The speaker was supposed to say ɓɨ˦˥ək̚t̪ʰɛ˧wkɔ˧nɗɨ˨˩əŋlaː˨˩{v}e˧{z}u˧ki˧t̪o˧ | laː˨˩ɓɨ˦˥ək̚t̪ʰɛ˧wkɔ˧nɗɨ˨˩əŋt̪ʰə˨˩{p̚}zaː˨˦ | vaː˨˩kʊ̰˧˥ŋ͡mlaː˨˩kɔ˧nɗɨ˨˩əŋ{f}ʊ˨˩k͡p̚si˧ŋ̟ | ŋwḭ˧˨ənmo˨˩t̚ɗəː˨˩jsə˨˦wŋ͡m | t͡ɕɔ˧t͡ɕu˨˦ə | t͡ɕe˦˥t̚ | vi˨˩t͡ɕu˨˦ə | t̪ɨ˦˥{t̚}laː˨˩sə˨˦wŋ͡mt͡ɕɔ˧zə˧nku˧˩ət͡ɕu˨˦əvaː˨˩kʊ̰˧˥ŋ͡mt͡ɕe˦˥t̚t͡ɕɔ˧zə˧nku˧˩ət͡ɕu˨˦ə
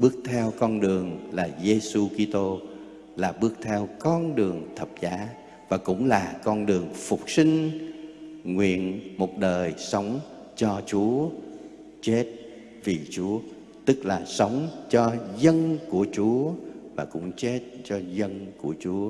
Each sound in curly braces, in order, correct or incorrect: incorrect: z, incorrect: s, correct, correct, incorrect: k̚

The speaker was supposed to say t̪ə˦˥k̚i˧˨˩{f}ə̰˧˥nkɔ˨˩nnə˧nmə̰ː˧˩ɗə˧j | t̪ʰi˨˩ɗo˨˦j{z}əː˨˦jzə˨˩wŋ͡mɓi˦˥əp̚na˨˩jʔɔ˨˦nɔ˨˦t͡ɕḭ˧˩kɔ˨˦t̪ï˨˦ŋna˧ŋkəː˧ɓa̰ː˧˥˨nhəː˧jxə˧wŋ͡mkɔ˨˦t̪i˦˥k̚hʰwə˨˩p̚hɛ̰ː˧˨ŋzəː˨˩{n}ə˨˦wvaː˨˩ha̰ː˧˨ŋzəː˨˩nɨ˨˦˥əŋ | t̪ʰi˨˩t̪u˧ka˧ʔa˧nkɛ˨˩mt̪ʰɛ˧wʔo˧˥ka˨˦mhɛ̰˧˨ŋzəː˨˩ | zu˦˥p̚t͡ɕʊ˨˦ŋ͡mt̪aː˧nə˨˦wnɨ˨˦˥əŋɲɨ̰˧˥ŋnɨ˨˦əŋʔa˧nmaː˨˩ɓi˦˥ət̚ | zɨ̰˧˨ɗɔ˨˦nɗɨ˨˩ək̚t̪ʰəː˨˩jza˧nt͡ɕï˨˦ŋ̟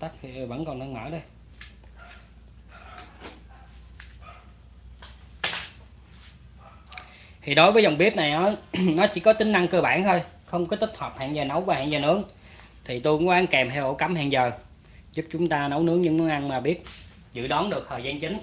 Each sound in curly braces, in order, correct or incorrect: incorrect: v, incorrect: v, correct

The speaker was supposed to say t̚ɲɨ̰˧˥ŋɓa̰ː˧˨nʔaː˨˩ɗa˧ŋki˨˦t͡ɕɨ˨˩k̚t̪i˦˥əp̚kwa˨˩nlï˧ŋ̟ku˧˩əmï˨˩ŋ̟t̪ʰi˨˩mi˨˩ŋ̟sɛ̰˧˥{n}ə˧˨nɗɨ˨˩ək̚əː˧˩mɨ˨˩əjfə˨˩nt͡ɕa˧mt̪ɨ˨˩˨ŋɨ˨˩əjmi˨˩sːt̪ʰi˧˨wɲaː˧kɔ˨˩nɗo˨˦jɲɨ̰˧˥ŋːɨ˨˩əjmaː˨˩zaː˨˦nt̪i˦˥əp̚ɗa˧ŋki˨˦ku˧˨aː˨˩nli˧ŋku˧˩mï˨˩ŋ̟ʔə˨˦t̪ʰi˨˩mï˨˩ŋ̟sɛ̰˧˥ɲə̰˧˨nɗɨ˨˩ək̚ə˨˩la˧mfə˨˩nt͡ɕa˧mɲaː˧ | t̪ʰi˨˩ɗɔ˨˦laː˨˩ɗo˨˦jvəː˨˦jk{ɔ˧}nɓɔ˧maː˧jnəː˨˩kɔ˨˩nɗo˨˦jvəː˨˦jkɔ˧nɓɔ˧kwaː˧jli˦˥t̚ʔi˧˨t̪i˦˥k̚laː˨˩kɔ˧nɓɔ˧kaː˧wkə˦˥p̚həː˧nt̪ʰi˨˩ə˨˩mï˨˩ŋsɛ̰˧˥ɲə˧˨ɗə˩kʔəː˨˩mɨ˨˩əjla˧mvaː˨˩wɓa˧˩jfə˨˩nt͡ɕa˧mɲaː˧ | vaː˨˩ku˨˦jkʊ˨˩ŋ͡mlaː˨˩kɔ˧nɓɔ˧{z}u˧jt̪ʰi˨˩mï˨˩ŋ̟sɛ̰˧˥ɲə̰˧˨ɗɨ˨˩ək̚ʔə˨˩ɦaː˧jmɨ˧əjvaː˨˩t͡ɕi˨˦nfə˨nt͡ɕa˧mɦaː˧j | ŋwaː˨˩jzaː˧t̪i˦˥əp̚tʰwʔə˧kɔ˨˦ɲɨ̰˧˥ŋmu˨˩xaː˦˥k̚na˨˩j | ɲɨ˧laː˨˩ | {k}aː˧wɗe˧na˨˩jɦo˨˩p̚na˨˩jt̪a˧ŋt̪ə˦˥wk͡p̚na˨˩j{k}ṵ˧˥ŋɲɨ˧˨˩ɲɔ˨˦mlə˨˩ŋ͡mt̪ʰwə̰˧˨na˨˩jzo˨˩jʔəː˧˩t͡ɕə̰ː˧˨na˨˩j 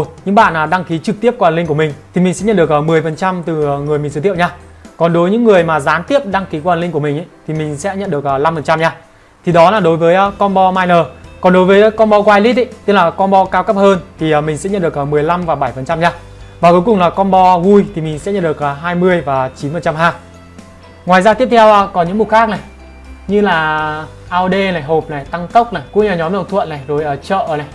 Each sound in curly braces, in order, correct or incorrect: incorrect: ɲ, correct, incorrect: v, incorrect: ʔ, correct

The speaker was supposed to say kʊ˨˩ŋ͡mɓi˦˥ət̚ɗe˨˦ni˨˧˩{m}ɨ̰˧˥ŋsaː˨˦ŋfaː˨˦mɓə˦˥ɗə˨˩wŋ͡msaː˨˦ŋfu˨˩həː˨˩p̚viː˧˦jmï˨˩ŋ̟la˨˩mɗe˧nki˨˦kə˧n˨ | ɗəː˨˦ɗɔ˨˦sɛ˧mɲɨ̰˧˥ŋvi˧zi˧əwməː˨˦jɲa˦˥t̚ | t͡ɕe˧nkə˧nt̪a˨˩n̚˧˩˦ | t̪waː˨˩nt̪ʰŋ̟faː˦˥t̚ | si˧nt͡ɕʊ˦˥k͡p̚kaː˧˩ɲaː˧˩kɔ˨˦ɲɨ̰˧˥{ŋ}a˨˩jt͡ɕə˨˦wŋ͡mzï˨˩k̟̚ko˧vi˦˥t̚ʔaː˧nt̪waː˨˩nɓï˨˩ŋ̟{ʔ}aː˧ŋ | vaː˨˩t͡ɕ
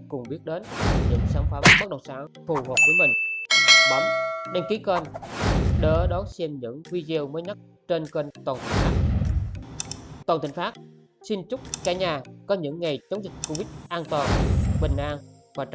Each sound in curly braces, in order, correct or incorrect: incorrect: ɲ, incorrect: ŋː, correct

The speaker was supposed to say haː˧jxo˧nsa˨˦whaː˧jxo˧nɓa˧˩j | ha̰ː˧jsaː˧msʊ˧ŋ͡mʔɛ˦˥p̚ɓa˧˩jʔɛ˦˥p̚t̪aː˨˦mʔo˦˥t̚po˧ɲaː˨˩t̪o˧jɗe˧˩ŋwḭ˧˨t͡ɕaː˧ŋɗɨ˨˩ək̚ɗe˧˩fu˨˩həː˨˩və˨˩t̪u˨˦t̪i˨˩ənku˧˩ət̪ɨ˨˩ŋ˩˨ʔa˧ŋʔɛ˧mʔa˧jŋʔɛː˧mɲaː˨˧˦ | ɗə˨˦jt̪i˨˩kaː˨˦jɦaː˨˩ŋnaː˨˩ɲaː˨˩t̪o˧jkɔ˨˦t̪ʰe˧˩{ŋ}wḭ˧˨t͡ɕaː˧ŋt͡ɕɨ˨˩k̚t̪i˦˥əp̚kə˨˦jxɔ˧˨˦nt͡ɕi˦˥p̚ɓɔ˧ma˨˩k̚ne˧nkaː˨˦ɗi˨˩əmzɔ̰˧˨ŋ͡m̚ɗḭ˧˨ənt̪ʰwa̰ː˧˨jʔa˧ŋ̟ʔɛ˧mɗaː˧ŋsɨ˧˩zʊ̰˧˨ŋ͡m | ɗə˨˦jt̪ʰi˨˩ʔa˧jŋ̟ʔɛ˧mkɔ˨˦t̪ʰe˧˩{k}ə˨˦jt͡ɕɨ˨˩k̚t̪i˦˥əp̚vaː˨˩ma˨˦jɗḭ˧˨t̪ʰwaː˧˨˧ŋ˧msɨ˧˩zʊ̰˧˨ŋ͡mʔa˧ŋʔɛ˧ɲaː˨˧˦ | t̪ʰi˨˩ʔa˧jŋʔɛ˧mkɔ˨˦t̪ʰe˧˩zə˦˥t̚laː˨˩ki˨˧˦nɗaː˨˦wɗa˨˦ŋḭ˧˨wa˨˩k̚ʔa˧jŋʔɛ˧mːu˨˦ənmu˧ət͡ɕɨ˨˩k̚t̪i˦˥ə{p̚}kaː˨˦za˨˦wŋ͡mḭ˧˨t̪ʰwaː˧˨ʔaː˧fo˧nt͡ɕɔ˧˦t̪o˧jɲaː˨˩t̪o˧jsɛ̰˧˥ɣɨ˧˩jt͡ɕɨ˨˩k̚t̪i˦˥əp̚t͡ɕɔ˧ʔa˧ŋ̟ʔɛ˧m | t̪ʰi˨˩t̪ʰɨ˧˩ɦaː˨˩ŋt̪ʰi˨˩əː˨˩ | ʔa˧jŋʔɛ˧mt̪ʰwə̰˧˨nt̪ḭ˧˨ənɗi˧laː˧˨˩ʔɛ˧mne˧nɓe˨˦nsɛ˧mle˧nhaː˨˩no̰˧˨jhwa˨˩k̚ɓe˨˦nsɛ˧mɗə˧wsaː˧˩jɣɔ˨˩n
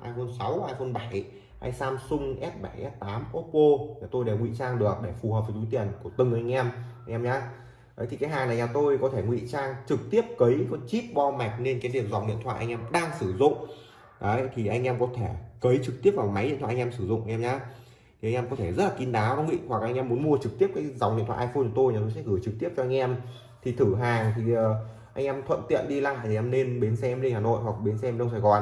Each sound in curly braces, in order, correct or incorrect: correct, correct, correct

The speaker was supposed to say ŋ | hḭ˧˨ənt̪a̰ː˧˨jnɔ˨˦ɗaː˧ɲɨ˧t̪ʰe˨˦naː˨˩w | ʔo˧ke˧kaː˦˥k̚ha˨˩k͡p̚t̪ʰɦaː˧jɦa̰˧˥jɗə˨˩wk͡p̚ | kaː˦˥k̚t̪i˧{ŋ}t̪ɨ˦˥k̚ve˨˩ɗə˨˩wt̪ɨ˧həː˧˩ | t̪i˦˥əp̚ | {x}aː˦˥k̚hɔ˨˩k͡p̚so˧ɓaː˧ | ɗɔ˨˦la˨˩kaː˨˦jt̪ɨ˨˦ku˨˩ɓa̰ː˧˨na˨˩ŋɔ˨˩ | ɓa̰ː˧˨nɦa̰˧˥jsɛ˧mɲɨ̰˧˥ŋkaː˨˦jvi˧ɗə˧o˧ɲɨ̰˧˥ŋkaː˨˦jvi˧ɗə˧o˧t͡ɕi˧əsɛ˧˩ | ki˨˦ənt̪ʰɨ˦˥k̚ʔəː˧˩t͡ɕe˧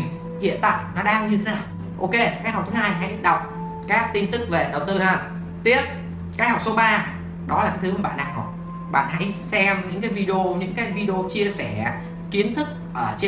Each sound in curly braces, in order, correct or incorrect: incorrect: n, incorrect: k

